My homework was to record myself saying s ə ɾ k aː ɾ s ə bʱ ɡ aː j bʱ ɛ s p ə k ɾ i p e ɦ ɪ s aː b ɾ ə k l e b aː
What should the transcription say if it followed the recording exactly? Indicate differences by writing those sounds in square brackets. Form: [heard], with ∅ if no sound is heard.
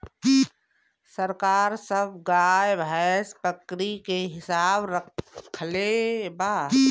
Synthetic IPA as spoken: s ə ɾ k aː ɾ s ə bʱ ɡ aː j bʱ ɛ s p ə k ɾ i [k] e ɦ ɪ s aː b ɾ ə [kʰ] l e b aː